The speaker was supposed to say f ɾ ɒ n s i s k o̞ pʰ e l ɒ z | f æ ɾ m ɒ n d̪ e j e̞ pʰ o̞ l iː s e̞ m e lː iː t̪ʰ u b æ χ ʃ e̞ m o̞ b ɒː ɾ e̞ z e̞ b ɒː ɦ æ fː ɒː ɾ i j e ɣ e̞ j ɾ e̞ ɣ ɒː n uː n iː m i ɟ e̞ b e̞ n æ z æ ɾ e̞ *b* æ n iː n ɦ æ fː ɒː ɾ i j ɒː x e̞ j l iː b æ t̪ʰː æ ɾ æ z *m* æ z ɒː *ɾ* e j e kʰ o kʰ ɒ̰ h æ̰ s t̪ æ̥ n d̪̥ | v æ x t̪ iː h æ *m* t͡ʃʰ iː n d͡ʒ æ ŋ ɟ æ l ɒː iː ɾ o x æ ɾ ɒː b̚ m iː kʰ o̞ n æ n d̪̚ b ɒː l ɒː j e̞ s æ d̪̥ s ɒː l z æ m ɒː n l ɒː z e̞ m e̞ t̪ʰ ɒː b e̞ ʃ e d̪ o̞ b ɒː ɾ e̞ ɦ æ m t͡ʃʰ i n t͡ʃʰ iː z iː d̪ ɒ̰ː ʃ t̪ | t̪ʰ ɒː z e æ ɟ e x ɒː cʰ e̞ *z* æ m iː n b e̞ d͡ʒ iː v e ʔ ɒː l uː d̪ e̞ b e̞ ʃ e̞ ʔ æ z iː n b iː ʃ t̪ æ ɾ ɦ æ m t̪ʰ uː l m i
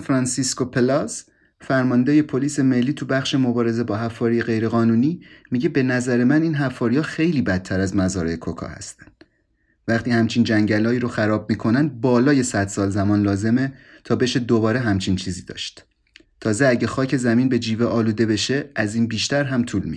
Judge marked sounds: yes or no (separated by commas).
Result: no, yes, yes, yes, yes